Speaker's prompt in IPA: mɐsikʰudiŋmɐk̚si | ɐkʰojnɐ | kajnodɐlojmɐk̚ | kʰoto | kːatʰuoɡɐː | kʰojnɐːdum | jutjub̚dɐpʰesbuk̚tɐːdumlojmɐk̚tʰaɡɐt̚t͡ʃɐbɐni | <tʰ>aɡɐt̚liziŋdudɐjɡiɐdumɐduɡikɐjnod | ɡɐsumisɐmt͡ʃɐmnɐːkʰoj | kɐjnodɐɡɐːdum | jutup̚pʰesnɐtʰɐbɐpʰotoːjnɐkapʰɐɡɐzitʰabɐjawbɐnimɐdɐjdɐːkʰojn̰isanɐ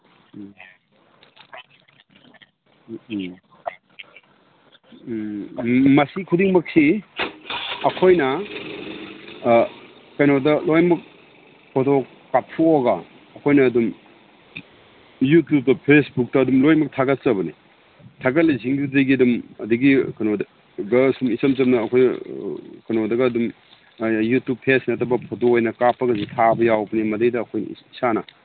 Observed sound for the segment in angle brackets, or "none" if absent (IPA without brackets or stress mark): tʰ